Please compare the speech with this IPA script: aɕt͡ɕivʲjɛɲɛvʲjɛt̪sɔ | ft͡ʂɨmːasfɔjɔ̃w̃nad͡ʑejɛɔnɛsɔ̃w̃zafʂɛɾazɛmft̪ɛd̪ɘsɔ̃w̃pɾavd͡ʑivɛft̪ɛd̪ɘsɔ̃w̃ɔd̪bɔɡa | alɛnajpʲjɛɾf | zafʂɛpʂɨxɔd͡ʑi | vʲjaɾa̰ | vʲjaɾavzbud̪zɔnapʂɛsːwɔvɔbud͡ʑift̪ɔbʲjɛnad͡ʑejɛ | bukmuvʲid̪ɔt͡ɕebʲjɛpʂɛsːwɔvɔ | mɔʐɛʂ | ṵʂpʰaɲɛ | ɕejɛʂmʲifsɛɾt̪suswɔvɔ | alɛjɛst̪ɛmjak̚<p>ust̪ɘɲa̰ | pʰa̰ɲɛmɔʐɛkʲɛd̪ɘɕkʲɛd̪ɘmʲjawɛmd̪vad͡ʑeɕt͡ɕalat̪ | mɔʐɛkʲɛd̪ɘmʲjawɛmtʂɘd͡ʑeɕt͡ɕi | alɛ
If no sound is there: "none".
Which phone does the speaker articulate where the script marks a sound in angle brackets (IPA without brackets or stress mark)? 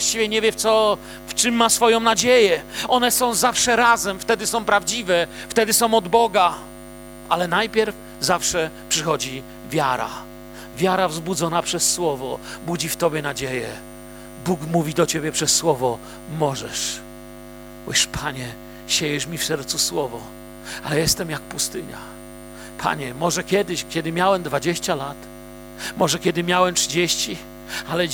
p